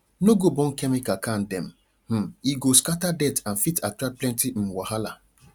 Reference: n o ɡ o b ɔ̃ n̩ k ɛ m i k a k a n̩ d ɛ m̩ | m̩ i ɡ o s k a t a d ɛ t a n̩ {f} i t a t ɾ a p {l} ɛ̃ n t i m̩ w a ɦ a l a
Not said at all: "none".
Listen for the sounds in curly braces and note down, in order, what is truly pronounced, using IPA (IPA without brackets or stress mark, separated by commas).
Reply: f, l